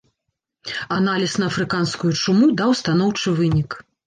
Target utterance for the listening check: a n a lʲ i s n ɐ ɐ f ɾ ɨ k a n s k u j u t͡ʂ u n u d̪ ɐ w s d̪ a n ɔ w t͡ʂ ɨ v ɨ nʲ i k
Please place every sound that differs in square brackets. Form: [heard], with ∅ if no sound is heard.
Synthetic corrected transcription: a n a lʲ i s n ɐ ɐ f ɾ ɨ k a n s k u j u t͡ʂ u [m] u d̪ [a] w s [t̪] a n ɔ w t͡ʂ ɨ v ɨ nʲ i k